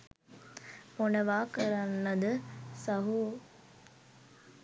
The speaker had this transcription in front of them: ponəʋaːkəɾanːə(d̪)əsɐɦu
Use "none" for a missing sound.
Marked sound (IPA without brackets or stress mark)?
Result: d̪